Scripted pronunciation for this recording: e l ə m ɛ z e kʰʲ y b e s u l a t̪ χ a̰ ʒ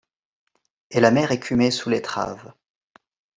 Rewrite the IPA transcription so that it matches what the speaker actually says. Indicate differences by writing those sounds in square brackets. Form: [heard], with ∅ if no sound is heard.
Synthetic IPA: e l [a] m ɛ [ʁ] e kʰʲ y [m] e s u l [e] t̪ χ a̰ [v]